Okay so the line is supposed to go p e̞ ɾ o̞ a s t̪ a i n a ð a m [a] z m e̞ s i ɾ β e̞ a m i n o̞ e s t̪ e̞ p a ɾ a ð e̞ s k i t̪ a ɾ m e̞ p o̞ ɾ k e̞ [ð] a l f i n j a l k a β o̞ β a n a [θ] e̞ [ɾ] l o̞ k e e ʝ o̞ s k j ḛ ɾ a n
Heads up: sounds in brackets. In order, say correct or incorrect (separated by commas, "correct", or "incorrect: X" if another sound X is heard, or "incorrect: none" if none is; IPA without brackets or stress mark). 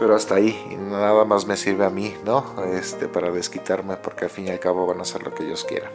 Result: correct, incorrect: none, incorrect: s, correct